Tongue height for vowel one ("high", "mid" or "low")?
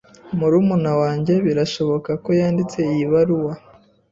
high